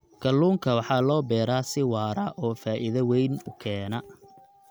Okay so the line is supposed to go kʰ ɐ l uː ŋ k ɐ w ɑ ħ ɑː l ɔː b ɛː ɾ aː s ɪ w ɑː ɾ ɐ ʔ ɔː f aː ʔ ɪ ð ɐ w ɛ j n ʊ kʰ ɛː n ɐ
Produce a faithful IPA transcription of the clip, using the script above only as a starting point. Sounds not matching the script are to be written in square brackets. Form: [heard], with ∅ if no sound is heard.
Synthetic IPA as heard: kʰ ɐ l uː ŋ [kʰ] ɐ w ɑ ħ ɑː l ɔː b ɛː ɾ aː s ɪ w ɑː ɾ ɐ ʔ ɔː f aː ʔ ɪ ð ɐ w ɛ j n ʊ kʰ ɛː n ɐ

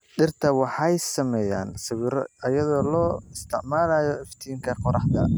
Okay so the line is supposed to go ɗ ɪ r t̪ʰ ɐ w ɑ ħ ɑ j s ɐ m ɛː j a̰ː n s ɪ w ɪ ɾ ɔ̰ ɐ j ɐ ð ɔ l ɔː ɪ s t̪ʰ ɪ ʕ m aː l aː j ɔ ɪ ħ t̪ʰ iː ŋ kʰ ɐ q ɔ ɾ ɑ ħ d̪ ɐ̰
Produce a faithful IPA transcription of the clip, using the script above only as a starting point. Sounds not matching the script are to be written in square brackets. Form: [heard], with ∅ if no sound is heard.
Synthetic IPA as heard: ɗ ɪ r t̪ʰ ɐ w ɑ ħ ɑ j s ɐ m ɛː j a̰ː n s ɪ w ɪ ɾ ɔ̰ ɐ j ɐ ð [ɔː] l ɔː ɪ s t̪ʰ ɪ ʕ m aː l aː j ɔ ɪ [f] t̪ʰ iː ŋ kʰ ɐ q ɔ ɾ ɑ ħ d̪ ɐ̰

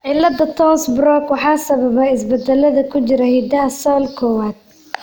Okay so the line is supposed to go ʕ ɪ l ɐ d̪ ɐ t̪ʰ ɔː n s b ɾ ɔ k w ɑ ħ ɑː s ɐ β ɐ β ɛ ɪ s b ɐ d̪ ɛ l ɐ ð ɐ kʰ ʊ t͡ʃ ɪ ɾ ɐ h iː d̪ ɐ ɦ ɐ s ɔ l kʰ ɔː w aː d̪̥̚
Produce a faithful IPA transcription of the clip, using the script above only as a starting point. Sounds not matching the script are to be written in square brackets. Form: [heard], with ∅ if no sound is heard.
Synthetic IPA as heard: ʕ ɪ l ɐ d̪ ɐ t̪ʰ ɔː n s b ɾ ɔ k w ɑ ħ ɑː s ɐ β ɐ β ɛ ɪ s b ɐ d̪ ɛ l ɐ ð ɐ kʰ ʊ t͡ʃ ɪ ɾ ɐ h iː d̪ ɐ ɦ ɐ s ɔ l kʰ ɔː w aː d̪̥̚

